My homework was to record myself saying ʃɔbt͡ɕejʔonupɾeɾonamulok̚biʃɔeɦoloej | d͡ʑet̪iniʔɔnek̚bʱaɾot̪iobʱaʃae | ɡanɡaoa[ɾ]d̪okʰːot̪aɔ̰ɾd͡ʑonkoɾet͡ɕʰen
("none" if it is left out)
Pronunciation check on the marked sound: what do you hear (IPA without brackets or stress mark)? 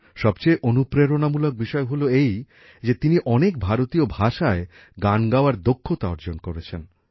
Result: ɾ